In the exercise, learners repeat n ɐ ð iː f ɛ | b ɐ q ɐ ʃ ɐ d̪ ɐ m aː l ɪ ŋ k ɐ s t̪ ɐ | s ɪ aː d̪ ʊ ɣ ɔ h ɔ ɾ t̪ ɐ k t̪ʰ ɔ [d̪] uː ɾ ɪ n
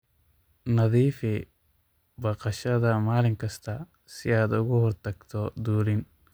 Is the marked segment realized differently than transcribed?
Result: no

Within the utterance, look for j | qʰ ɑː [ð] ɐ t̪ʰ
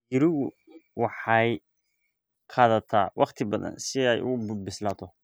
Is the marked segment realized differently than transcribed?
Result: no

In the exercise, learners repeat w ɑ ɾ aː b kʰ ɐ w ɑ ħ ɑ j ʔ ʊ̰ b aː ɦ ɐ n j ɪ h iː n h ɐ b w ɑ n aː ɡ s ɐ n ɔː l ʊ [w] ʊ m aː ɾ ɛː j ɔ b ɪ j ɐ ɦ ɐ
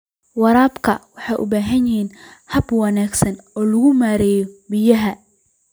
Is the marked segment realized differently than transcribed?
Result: yes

